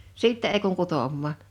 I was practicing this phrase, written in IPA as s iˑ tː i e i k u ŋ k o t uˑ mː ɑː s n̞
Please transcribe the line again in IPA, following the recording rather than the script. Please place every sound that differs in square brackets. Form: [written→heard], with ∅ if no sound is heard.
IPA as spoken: s iˑ tː [i→ɛ] e i k u ŋ k [o→u] t [uˑ→oˑ] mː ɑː [s→∅] n̞